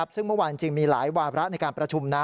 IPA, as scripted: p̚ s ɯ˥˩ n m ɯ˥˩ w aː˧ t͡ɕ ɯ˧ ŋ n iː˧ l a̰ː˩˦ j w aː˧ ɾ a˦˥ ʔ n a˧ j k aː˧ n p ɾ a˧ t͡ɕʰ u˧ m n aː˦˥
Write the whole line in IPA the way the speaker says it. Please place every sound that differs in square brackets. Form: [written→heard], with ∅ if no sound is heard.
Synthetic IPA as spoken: p̚ s ɯ˥˩ [n→ŋ] m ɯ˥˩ w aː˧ t͡ɕ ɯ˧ ŋ [n→m] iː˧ l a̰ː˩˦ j w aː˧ ɾ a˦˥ ʔ n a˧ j k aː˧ n p ɾ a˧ t͡ɕʰ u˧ m n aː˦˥